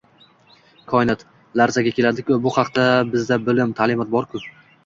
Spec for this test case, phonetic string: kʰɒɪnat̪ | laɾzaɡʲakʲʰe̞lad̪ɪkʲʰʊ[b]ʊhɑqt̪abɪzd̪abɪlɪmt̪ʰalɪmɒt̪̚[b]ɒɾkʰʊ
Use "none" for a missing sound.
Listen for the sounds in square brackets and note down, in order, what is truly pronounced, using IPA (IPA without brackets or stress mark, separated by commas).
b, b